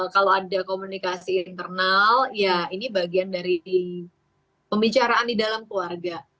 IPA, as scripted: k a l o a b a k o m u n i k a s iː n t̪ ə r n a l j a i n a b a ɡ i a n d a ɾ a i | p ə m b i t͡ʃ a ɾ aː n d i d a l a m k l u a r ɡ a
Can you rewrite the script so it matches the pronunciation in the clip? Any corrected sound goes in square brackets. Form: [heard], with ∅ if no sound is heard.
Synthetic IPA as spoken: k a l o a [d] a k o m u n i k a s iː n t̪ ə r n a l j a i n [i] b a ɡ i a n d a ɾ [i] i | p ə m b i t͡ʃ a ɾ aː n d i d a l a m k l u a r ɡ a